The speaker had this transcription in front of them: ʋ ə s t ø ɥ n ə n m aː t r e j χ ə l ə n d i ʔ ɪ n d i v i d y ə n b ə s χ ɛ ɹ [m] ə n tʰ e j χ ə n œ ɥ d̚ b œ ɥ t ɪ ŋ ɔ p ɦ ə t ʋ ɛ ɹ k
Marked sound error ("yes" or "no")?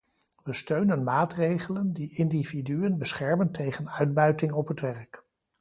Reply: no